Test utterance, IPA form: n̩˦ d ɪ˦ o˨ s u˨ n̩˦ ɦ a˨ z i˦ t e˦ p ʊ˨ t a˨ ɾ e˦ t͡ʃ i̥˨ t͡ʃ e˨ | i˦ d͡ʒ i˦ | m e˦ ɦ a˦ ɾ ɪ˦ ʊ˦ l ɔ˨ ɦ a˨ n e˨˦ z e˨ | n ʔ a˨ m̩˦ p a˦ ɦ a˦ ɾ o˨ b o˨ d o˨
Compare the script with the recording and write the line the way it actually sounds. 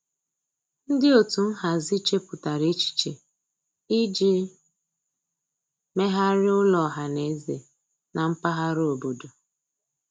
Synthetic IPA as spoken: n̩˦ d ɪ˦ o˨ t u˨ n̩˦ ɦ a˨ z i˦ t͡ʃ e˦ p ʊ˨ t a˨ ɾ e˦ t͡ʃ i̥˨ t͡ʃ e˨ | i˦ d͡ʒ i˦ | m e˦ ɦ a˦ ɾ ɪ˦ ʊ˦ l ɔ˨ ɦ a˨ n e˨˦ z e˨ | n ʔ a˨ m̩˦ p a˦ ɦ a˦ ɾ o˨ b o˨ d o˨

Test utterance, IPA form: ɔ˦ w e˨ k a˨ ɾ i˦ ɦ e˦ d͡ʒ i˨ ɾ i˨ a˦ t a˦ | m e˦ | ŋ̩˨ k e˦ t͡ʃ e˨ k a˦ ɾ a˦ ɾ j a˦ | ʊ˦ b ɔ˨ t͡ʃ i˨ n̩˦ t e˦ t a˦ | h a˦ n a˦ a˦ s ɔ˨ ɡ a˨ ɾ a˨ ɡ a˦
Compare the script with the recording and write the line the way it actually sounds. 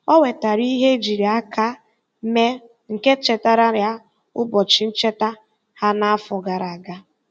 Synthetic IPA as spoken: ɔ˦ w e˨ t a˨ ɾ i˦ ɦ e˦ d͡ʒ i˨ ɾ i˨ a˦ k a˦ | m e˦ | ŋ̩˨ k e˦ t͡ʃ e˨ t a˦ ɾ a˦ ɾ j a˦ | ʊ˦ b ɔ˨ t͡ʃ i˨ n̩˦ t͡ʃ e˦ t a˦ | h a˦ n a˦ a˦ f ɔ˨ ɡ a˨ ɾ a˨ ɡ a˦

